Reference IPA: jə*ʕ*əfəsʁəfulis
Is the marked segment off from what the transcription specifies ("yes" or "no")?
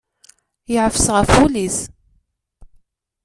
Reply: no